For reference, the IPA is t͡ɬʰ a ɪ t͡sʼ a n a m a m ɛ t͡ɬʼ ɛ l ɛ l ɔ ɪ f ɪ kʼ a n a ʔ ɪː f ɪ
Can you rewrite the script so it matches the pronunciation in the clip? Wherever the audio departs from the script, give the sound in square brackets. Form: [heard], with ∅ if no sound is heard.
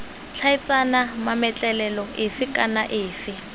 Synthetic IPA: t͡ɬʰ a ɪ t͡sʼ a n a m a m ɛ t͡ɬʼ ɛ l ɛ l ɔ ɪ f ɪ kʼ a n a ʔ ɪː f ɪ